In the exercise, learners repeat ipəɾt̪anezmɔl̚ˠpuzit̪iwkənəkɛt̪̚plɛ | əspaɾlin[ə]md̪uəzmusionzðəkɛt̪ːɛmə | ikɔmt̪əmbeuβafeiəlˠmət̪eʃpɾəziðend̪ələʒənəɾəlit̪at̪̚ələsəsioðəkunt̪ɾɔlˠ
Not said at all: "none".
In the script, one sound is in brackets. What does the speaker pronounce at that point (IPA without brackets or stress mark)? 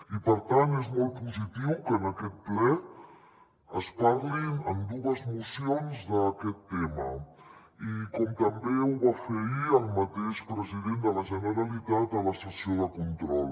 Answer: ə